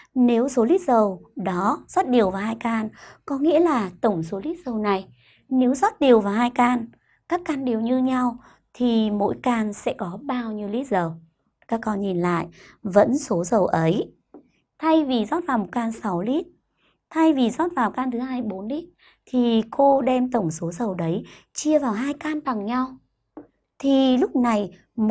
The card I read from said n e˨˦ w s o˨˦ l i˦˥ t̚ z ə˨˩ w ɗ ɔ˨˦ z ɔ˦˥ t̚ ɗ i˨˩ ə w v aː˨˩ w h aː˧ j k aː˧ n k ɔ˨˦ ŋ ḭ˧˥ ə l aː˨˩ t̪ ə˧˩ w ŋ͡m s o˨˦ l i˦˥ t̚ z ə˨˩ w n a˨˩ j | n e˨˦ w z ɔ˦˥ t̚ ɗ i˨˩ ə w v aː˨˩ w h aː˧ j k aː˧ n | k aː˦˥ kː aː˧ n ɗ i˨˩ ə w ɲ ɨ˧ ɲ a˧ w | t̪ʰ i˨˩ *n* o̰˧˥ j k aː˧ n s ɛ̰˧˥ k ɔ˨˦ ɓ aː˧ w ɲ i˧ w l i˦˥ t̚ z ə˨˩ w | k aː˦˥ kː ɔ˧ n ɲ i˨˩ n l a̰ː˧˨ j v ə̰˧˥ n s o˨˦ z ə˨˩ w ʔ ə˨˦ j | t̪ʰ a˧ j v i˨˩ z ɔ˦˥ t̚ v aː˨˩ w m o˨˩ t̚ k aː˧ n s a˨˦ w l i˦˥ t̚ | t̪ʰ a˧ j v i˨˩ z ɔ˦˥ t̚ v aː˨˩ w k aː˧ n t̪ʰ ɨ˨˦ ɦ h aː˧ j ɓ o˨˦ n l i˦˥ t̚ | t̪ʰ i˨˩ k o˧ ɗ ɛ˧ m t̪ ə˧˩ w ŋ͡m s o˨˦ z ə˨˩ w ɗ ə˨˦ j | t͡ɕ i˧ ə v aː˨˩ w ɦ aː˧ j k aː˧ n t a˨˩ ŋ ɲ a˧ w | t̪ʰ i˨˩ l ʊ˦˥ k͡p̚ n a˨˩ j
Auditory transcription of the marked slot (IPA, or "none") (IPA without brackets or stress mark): m